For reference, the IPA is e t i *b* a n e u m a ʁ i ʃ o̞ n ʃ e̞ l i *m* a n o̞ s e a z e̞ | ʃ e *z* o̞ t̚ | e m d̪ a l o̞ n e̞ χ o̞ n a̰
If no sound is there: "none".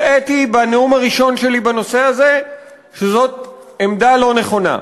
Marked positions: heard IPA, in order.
b, b, z

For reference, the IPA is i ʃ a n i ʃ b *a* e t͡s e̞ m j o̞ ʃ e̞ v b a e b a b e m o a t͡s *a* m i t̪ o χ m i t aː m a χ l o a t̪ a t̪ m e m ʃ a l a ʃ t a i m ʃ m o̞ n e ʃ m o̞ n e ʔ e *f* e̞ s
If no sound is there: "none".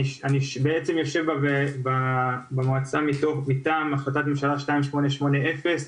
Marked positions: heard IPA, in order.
e, a, f

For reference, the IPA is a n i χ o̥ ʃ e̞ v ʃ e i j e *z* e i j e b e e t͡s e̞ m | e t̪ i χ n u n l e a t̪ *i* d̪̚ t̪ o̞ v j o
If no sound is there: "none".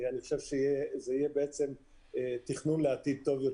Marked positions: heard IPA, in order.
z, i

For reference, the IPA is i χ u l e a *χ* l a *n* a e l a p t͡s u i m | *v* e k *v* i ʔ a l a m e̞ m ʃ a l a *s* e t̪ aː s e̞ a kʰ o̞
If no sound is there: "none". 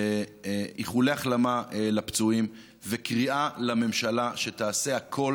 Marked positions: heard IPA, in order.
χ, m, v, ʁ, ʃ

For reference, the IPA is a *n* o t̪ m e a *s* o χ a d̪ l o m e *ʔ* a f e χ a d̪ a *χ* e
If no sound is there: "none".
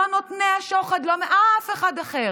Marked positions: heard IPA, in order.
n, ʃ, ʔ, χ

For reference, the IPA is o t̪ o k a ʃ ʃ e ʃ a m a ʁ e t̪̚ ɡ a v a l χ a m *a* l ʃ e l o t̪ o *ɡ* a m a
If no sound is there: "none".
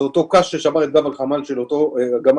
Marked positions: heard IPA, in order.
a, ɡ

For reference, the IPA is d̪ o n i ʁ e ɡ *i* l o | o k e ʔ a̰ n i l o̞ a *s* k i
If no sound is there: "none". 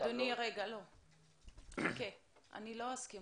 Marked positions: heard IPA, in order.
a, s

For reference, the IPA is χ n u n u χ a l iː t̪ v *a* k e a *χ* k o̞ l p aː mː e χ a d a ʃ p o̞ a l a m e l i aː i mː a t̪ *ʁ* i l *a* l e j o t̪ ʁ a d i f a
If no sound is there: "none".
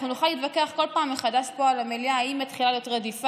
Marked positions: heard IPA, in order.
a, χ, χ, a

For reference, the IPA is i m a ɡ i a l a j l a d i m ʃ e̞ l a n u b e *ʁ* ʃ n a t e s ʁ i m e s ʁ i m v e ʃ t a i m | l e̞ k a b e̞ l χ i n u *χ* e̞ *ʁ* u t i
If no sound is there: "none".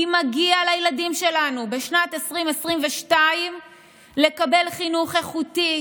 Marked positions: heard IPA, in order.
none, χ, χ

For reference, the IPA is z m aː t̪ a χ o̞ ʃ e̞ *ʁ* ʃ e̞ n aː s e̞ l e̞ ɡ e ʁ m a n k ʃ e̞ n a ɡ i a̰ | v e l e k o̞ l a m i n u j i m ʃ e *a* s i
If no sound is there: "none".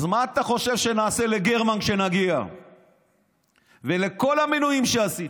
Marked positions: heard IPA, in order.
v, a

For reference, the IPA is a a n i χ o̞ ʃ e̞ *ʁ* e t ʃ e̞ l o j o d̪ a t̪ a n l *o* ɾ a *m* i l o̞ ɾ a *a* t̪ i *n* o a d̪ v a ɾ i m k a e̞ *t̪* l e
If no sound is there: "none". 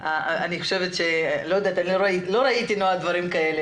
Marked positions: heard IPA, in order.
v, o, none, i, n, none

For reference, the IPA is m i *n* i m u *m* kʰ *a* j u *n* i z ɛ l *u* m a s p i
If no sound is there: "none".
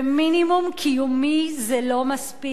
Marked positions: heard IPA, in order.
n, m, i, m, o

